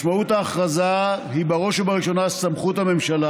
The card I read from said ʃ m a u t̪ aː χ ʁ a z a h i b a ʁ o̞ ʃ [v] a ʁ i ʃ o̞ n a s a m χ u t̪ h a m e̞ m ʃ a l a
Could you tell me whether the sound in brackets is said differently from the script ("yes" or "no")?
yes